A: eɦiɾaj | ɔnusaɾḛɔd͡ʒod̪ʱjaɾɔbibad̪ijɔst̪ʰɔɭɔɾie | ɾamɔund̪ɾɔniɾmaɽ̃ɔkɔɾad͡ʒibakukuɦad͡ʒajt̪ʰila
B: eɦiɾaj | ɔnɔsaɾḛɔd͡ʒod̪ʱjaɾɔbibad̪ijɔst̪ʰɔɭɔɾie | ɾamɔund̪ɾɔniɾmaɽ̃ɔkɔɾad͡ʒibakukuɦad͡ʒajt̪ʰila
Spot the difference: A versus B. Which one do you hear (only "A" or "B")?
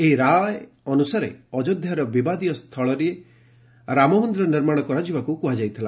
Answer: A